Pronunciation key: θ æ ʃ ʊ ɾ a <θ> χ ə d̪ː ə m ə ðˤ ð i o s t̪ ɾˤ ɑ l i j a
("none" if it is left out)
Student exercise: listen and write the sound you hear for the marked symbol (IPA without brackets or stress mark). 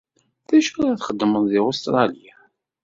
θ